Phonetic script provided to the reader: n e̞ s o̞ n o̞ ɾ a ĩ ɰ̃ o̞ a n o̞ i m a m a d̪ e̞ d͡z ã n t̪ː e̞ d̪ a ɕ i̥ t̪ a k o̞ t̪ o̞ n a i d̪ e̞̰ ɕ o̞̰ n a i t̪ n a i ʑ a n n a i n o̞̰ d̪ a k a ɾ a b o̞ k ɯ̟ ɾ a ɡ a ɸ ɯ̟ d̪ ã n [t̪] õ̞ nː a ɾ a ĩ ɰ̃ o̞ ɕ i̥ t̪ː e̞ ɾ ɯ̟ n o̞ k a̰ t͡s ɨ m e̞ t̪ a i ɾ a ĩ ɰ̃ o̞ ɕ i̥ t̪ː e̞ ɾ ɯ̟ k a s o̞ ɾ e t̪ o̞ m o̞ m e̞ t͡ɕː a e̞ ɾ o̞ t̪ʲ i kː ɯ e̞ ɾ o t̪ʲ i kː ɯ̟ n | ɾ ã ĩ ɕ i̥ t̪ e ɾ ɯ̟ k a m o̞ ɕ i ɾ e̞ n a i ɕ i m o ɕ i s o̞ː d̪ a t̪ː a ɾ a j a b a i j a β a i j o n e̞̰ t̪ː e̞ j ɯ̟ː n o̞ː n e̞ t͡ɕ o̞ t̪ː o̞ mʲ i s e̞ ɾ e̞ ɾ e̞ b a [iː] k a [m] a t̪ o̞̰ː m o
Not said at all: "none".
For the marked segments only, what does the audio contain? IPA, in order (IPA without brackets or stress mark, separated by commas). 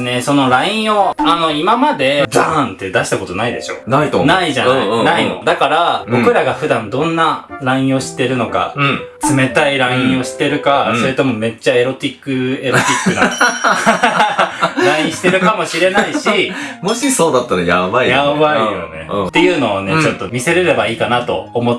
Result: d̪, iː, n